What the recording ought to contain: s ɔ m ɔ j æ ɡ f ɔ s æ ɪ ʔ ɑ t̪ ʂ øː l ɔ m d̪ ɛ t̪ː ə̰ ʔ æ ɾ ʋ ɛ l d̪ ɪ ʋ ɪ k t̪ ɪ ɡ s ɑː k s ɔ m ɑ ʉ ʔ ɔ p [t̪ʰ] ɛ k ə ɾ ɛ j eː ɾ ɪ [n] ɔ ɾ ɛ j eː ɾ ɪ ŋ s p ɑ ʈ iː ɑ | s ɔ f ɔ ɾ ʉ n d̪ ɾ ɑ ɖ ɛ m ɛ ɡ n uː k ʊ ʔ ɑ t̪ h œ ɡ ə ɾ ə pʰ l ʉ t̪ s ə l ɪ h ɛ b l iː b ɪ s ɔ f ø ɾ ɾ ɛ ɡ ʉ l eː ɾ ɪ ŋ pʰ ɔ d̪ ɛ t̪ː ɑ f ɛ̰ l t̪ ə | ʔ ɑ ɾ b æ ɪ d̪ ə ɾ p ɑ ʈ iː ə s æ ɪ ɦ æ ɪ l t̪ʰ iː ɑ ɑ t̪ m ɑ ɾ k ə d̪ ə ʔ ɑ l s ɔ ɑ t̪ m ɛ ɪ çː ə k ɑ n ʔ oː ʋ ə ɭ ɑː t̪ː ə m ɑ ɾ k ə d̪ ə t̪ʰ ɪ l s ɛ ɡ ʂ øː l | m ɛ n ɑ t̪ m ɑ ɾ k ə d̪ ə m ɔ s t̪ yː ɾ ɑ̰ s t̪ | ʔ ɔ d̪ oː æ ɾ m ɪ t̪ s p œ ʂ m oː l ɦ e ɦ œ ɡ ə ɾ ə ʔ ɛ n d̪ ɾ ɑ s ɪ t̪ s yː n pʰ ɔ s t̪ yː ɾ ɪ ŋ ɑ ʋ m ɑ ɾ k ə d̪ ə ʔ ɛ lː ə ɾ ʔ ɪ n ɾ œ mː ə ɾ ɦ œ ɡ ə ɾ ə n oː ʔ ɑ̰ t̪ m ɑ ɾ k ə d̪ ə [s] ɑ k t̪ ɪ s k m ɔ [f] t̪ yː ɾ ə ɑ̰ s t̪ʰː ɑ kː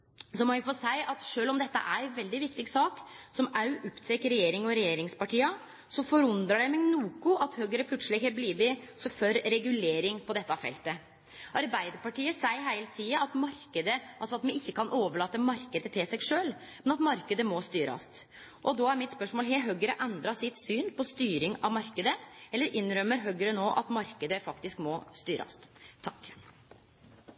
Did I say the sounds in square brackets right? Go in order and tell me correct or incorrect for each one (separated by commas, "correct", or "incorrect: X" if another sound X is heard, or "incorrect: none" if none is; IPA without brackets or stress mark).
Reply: correct, incorrect: ŋ, incorrect: f, incorrect: s